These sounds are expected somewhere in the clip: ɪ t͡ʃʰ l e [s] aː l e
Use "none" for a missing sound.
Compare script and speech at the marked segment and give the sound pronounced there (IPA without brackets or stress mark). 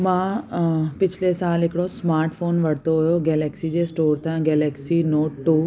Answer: s